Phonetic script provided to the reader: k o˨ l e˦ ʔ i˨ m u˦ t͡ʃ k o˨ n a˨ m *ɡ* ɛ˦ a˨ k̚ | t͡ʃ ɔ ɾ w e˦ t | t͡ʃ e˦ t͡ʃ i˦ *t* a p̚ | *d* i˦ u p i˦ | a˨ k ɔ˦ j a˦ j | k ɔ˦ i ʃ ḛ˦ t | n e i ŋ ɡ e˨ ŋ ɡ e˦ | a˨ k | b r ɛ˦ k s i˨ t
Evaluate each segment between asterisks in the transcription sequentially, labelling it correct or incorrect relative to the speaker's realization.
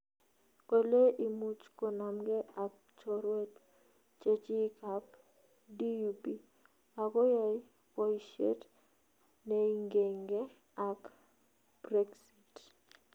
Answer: correct, incorrect: k, correct

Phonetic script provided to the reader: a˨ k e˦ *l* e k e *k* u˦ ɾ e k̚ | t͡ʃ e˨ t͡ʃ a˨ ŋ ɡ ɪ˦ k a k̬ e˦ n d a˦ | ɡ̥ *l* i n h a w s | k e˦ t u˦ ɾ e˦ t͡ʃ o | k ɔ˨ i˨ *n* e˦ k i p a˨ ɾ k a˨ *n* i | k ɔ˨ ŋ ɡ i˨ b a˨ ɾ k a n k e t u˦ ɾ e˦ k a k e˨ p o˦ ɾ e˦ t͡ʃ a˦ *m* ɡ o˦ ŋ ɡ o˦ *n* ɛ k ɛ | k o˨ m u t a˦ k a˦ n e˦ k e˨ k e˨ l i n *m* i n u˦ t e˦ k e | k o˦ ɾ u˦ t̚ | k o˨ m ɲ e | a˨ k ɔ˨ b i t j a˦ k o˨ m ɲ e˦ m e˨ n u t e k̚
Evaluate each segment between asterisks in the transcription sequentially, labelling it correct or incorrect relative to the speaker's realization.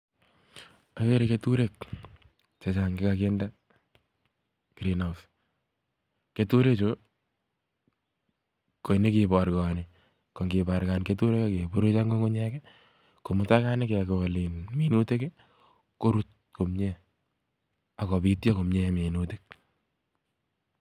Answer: incorrect: ɾ, incorrect: t, incorrect: ɾ, correct, correct, incorrect: ŋ, incorrect: ɲ, correct

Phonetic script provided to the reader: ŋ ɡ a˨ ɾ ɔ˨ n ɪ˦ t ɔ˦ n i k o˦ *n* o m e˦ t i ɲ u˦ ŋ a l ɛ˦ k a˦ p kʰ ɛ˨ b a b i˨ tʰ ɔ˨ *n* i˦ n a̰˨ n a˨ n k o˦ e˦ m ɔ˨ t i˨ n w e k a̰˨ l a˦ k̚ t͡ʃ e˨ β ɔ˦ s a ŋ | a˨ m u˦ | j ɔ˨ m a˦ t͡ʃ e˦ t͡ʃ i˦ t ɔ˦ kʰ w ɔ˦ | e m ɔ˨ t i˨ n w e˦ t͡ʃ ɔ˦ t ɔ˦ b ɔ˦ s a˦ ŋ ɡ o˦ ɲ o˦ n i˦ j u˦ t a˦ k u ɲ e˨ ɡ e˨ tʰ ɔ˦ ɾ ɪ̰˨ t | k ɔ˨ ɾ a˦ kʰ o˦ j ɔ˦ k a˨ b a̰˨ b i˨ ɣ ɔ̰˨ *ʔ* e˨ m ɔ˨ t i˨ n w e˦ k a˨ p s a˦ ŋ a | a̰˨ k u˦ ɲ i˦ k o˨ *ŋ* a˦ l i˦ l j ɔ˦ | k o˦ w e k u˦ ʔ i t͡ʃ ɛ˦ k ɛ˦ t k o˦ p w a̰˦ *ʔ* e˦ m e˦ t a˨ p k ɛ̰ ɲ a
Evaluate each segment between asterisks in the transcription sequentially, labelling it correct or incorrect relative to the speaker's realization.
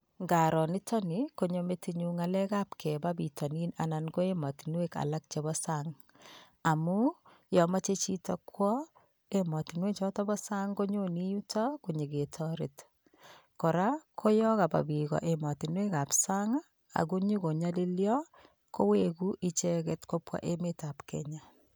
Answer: incorrect: ɲ, correct, correct, incorrect: ɲ, correct

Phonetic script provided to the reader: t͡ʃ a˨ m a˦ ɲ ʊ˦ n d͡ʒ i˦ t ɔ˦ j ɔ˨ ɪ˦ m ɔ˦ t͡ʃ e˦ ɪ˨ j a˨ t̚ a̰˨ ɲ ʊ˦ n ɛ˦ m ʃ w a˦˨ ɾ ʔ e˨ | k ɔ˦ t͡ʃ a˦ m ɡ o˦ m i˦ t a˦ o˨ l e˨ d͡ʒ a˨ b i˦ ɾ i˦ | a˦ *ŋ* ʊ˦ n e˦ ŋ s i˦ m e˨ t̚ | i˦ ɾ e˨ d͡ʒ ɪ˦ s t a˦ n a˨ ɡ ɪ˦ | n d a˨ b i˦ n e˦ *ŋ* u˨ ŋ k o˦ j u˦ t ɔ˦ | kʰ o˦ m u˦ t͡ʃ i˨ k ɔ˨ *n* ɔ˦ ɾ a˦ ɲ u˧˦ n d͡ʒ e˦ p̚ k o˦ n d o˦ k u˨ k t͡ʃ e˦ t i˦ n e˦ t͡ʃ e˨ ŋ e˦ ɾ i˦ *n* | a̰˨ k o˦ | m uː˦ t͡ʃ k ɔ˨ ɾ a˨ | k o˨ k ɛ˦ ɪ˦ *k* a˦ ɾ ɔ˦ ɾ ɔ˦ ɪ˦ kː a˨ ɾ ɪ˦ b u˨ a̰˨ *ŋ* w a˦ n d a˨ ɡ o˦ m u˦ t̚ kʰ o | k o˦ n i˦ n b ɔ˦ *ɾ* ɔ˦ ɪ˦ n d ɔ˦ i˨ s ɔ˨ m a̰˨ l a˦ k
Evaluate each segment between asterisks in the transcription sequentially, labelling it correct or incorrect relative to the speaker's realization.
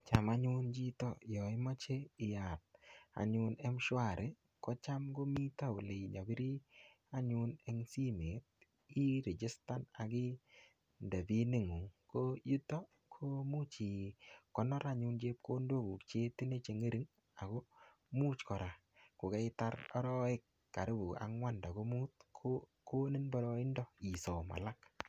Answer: incorrect: ɲ, correct, correct, incorrect: ŋ, incorrect: t, correct, correct

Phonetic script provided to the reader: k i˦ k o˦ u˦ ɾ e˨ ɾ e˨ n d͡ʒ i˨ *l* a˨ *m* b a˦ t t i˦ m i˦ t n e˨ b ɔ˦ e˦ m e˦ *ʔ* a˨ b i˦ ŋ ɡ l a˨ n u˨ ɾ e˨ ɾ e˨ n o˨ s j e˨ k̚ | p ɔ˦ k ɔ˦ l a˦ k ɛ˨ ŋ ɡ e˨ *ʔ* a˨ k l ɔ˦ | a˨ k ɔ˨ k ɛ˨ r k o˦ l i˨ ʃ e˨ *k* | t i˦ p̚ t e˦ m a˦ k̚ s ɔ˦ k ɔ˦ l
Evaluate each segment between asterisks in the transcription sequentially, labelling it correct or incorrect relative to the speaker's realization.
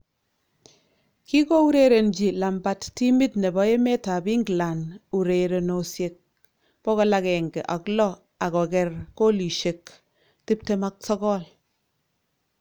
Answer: correct, correct, incorrect: t, correct, correct

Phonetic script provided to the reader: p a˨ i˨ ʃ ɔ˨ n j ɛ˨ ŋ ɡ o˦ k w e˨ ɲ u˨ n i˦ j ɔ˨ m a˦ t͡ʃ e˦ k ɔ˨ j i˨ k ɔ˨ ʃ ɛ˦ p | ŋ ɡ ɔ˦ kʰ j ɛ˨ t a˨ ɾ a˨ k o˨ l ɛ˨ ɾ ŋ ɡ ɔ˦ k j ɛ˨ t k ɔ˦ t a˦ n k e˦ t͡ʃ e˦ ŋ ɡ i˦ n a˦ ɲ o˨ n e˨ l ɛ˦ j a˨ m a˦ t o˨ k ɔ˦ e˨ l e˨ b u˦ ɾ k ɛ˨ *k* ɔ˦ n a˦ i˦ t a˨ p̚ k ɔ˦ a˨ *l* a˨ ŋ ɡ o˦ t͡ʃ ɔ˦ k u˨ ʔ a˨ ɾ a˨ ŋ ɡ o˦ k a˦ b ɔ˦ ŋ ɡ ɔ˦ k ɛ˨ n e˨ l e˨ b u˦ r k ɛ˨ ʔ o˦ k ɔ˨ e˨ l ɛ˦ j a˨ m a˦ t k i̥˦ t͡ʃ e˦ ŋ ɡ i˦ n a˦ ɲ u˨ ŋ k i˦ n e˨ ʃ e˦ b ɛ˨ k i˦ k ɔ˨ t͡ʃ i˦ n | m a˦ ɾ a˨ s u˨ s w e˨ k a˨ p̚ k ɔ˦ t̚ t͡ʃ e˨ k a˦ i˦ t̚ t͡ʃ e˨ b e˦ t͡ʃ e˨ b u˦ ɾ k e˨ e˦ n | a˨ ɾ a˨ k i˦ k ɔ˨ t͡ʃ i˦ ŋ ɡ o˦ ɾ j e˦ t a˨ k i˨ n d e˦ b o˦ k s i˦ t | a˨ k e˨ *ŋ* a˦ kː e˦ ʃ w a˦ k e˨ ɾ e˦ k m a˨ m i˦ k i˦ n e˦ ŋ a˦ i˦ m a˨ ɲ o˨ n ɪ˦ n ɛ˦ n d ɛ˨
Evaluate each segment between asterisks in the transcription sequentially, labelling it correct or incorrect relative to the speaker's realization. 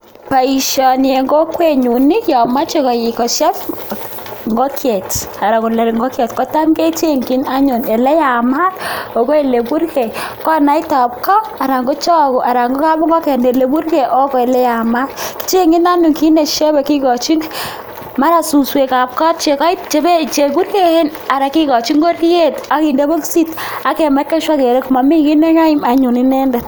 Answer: correct, incorrect: ɾ, incorrect: m

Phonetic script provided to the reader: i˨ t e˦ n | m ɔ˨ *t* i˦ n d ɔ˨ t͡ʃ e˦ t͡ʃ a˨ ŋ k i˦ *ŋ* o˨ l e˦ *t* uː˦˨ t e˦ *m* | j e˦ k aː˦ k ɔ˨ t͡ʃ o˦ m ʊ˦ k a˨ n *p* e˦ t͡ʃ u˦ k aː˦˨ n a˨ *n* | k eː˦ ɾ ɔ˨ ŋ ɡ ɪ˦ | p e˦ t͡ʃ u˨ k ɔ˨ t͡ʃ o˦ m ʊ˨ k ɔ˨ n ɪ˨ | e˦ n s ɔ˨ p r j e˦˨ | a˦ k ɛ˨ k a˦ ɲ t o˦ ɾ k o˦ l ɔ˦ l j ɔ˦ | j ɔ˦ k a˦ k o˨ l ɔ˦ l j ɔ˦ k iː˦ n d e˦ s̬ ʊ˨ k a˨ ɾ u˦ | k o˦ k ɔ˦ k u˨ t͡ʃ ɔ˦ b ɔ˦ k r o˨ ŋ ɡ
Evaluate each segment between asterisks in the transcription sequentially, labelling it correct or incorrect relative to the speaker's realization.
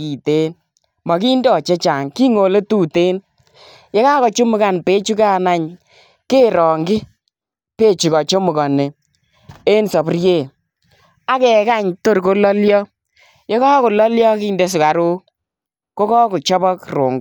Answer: incorrect: k, correct, correct, incorrect: n, correct, incorrect: ɲ

